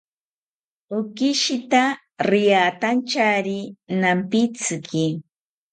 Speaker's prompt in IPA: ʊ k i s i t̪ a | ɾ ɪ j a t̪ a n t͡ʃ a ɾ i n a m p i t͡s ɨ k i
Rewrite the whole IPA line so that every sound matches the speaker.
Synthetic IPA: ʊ k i ʃ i t̪ a | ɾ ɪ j a t̪ a n t͡ʃ a ɾ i n a m p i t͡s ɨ k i